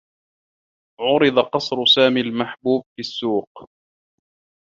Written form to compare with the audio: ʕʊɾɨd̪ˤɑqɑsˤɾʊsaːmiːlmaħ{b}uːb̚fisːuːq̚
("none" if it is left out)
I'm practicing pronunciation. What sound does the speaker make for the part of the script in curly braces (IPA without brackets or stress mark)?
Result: b